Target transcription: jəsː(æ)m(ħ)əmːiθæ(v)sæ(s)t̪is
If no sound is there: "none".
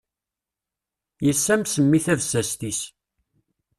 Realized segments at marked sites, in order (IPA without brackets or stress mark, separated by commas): æ, s, v, s